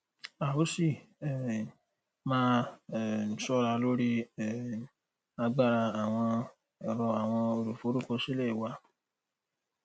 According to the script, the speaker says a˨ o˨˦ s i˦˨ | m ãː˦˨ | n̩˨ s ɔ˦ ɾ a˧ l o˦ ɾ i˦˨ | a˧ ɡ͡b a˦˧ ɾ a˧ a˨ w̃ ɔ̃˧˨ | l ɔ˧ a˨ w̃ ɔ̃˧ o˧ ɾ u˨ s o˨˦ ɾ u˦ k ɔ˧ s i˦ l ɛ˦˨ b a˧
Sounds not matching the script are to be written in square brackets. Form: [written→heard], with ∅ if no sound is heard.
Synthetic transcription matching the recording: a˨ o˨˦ s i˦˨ | m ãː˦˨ | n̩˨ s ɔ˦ ɾ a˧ l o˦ ɾ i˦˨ | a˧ ɡ͡b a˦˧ ɾ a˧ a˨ w̃ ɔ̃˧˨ | [l→ɾ] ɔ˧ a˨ w̃ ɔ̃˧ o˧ ɾ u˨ [s→f] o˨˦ ɾ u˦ k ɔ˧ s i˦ l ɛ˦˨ [b→w] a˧